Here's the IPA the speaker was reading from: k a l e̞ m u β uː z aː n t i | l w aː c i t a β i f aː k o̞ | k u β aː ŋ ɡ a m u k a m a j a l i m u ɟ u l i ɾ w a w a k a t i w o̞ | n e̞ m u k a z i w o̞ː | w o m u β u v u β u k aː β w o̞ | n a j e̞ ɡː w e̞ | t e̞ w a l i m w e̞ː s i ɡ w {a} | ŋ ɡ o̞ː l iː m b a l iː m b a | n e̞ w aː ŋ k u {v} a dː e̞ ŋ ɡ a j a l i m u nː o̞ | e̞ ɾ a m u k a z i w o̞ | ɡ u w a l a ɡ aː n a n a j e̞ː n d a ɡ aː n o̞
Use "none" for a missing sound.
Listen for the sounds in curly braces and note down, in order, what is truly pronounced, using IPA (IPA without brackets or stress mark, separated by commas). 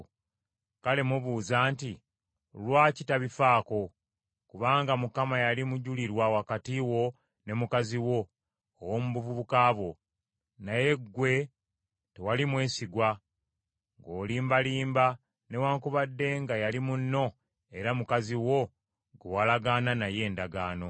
a, β